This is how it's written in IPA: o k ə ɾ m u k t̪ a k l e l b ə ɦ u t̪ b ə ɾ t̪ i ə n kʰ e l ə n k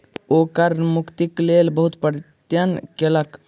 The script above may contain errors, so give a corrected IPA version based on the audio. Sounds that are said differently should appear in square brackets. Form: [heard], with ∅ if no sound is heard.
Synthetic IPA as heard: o k ə ɾ m u k t̪ [i] k l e l b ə ɦ u t̪ [p] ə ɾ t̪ [j] ə n [k] e l ə [∅] k